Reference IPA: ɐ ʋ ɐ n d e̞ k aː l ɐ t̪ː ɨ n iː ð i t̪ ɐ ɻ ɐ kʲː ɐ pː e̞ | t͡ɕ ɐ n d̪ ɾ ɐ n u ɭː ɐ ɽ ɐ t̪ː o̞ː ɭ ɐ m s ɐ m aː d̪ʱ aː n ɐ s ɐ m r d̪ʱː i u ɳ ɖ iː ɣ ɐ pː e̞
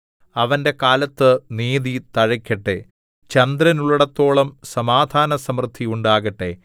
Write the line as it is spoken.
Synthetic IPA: ɐ ʋ ɐ n d e̞ k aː l ɐ t̪ː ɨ n iː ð i t̪ ɐ ɻ ɐ kʲː ɐ ʈː e̞ | t͡ɕ ɐ n d̪ ɾ ɐ n u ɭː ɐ ɽ ɐ t̪ː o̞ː ɭ ɐ m s ɐ m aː d̪ʱ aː n ɐ s ɐ m r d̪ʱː i u ɳ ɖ aː ɣ ɐ ʈː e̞